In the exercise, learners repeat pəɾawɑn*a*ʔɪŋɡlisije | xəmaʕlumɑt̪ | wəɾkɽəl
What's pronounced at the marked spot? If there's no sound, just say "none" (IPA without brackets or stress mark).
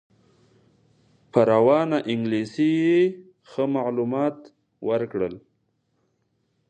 a